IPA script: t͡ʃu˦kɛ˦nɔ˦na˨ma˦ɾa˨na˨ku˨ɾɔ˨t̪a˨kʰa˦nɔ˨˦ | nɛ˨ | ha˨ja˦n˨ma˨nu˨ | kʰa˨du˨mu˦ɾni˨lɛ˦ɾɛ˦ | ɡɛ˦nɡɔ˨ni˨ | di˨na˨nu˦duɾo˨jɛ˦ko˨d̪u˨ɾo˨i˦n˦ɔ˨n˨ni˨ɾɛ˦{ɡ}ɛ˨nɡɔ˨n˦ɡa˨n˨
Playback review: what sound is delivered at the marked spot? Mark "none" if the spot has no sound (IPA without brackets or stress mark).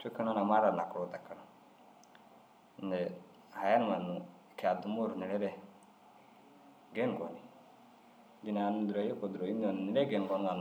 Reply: ɡ